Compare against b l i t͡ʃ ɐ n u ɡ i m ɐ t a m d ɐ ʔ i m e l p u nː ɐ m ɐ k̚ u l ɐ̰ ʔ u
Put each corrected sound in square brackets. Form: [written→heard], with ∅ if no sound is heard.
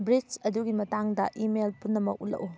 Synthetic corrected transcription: b [l→ɾ] i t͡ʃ ɐ [n→d] u ɡ i m ɐ t a [m→ŋ] d ɐ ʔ i m e l p u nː ɐ m ɐ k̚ u l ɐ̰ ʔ u